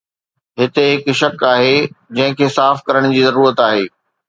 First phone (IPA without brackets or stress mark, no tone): ɦ